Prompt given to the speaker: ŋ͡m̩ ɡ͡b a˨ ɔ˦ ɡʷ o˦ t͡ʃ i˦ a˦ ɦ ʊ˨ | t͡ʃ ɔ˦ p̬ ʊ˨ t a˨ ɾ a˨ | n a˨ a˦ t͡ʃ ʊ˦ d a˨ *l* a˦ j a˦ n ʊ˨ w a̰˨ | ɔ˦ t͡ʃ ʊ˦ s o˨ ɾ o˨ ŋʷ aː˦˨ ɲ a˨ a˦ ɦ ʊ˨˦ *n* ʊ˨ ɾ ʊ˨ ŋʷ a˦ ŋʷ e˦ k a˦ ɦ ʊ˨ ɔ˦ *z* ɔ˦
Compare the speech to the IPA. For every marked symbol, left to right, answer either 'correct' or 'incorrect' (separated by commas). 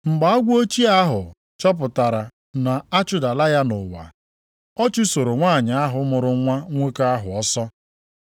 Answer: correct, incorrect, incorrect